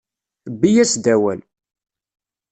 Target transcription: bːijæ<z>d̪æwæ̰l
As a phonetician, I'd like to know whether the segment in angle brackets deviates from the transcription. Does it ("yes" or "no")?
yes